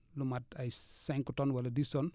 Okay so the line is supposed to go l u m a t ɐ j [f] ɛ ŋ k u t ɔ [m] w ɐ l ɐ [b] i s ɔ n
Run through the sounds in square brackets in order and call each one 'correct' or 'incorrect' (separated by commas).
incorrect, incorrect, incorrect